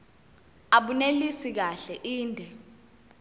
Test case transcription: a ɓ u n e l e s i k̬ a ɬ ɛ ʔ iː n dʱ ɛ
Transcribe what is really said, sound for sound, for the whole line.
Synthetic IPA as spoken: a ɓ u n e l i s i k̬ a ɬ ɛ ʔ iː n dʱ ɛ